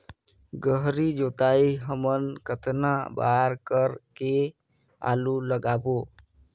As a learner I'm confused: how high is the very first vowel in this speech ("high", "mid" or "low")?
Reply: mid